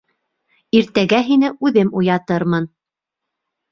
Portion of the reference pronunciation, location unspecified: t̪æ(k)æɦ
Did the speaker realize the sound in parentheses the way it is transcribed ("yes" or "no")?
no